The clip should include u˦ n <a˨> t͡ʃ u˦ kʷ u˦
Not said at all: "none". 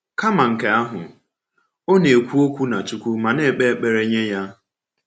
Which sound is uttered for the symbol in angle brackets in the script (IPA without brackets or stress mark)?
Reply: a˨